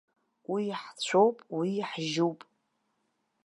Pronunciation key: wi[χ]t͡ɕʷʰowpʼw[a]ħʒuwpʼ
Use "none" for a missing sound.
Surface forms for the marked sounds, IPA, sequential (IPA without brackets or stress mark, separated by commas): ħ, i